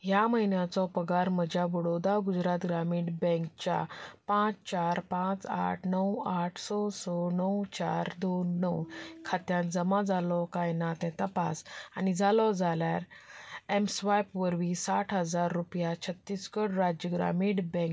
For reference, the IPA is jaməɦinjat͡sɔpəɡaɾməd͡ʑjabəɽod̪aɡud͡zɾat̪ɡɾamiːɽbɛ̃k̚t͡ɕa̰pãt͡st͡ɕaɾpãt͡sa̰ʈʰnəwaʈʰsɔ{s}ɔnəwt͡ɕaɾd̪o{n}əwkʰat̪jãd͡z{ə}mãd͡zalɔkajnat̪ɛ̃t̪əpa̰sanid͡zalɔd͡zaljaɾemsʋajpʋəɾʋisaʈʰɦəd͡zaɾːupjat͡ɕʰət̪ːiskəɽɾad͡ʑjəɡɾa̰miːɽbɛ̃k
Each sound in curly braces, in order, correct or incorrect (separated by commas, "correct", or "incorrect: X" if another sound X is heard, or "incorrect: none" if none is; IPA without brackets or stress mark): correct, incorrect: nː, correct